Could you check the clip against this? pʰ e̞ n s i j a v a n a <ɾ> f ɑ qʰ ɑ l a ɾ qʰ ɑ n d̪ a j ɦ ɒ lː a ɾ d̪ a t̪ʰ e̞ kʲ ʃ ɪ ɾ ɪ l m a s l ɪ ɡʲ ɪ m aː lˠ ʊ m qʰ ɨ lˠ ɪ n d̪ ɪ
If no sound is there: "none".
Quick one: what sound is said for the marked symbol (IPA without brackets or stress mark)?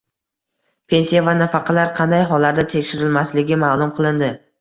none